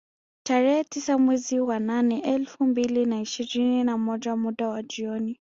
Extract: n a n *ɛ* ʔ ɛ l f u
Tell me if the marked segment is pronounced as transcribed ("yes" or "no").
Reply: yes